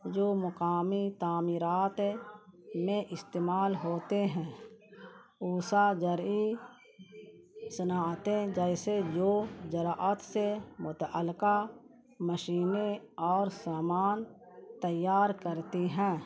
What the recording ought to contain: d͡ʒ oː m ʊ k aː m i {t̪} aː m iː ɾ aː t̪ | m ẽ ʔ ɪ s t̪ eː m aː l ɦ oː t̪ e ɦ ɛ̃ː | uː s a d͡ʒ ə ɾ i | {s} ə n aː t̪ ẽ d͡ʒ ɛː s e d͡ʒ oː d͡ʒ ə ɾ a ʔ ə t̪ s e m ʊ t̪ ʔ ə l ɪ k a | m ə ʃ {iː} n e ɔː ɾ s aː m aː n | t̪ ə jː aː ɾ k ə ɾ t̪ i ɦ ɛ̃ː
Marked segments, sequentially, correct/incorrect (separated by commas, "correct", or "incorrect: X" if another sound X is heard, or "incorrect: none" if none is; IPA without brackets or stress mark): correct, correct, correct